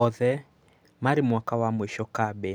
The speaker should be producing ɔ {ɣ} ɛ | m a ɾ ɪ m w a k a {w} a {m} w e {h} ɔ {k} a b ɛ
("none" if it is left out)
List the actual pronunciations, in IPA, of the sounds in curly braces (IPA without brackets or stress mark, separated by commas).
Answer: ð, w, m, ʃ, k